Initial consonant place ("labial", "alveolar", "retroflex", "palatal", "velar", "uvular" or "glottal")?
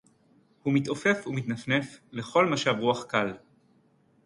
glottal